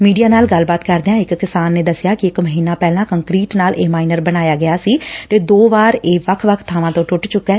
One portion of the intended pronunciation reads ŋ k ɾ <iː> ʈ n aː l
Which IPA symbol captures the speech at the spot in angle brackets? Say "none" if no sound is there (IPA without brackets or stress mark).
iː